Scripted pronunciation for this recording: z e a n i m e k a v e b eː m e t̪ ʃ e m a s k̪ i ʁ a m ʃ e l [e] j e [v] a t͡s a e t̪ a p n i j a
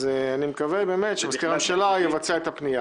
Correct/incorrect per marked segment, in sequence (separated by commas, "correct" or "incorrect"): incorrect, correct